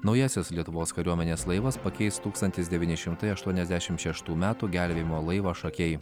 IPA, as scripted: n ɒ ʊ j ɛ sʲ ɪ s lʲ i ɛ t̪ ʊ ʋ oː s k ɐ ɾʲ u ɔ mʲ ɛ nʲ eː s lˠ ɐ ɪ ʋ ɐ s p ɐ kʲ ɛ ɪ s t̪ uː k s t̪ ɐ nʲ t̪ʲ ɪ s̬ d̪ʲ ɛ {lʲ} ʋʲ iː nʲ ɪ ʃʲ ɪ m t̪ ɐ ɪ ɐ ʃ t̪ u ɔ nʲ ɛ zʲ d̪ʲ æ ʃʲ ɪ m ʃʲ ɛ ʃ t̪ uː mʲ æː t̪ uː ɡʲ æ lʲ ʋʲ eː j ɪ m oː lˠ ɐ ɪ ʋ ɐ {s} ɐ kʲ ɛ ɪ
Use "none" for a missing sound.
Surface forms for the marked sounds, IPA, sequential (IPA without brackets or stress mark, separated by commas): none, ʃ